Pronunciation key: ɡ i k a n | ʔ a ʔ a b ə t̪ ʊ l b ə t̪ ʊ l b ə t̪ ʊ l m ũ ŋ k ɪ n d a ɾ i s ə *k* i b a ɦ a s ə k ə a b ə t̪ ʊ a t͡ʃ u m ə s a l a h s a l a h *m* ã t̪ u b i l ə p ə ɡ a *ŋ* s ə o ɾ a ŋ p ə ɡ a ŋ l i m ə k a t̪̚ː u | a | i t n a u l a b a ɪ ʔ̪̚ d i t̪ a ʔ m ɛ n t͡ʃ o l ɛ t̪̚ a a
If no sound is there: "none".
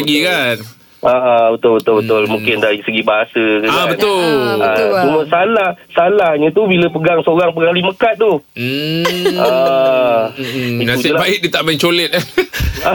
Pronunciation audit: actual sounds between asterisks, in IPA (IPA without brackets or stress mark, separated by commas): ɡ, ɲ, ŋ